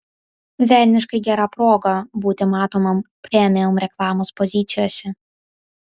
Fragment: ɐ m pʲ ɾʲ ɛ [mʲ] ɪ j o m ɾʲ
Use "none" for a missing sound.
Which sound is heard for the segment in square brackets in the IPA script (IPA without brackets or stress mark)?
mʲ